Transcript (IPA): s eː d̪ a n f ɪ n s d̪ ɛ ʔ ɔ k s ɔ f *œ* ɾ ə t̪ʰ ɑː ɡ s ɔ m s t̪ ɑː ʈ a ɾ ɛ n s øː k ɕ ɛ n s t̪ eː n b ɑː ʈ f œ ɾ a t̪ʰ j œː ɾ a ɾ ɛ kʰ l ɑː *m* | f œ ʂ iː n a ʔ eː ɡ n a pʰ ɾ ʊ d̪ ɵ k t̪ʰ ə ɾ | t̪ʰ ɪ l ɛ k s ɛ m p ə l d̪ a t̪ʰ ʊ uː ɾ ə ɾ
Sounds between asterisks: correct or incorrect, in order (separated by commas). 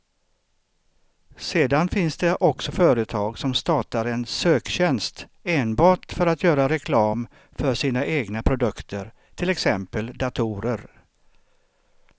incorrect, correct